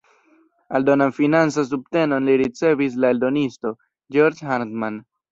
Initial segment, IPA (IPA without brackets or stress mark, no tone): a